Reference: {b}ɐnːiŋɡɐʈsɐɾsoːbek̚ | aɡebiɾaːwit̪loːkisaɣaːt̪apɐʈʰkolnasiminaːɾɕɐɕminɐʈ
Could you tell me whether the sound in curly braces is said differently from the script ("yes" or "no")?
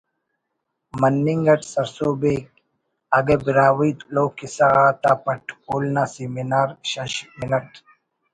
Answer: yes